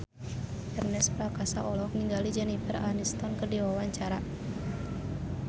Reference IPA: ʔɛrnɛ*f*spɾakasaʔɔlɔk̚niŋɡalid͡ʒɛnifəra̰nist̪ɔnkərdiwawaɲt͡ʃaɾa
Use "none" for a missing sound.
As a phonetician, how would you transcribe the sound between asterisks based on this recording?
none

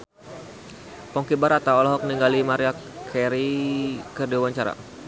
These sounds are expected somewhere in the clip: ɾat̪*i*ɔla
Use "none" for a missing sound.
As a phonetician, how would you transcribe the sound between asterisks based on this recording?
a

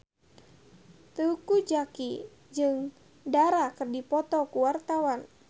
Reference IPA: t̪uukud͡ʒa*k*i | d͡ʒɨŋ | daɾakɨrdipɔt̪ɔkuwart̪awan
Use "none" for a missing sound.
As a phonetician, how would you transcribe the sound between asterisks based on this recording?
k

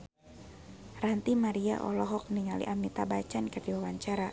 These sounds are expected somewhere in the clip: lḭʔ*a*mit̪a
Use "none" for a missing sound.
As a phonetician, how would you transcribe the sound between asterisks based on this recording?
a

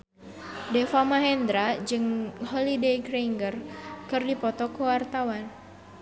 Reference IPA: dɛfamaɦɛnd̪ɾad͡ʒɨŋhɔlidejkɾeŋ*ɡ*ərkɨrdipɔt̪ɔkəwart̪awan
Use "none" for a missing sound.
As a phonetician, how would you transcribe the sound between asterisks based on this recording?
ɡ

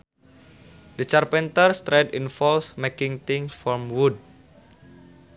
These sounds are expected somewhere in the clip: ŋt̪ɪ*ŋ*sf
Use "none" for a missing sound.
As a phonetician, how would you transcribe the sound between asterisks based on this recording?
ŋ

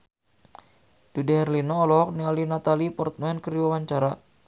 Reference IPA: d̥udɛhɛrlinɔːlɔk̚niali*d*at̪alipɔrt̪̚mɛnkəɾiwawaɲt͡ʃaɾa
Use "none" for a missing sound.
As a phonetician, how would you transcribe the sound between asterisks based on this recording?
n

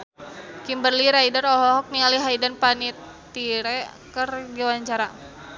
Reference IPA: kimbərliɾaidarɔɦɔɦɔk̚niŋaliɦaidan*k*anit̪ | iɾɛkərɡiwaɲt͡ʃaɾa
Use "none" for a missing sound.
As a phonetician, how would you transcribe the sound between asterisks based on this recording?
p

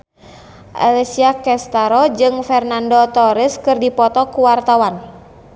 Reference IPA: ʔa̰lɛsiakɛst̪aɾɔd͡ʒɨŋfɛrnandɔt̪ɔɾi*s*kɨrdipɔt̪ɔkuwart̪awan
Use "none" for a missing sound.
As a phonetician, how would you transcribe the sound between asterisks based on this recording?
s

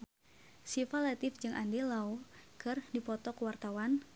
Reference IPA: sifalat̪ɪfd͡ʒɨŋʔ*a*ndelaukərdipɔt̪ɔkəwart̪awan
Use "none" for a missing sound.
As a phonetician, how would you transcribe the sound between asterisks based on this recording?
a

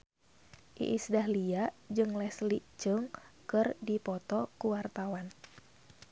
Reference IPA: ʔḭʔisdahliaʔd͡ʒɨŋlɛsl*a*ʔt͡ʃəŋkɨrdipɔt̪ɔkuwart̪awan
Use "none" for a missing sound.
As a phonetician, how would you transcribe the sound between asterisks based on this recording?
i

